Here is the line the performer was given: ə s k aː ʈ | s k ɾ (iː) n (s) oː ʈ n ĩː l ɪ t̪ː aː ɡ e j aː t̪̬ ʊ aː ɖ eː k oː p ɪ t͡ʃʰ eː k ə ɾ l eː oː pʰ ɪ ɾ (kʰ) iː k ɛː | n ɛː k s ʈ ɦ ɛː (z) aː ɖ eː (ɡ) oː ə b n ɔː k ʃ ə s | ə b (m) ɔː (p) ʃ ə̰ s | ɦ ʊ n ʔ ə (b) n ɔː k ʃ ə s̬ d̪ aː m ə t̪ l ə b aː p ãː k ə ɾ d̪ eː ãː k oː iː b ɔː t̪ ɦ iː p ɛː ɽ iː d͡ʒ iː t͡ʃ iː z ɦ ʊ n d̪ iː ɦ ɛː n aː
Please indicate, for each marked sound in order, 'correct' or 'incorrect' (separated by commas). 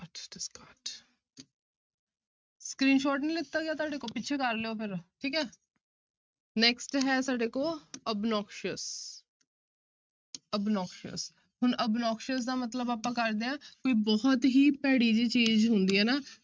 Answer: correct, incorrect, incorrect, incorrect, incorrect, incorrect, incorrect, correct